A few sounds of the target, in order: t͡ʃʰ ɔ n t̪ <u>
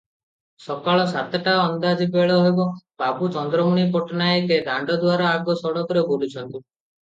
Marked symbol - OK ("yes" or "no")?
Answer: yes